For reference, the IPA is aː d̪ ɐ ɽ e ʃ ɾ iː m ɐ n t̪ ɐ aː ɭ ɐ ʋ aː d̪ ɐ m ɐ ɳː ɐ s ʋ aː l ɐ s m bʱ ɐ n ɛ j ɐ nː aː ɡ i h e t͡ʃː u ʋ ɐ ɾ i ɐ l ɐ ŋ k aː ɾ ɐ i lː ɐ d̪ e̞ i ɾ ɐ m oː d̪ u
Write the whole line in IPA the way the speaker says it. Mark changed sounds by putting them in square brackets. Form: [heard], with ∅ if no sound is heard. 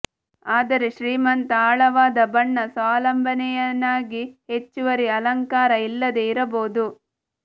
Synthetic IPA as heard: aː d̪ ɐ [ɾ] e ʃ ɾ iː m ɐ n t̪ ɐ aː ɭ ɐ ʋ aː d̪ ɐ [b] ɐ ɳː ɐ s ʋ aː l ɐ [∅] m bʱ ɐ n ɛ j ɐ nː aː ɡ i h e t͡ʃː u ʋ ɐ ɾ i ɐ l ɐ ŋ k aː ɾ ɐ i lː ɐ d̪ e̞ i ɾ ɐ [b] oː d̪ u